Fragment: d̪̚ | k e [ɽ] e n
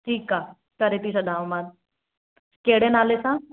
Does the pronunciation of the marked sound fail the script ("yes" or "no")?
no